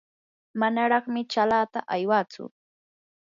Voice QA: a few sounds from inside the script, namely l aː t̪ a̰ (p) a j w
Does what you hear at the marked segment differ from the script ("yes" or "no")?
yes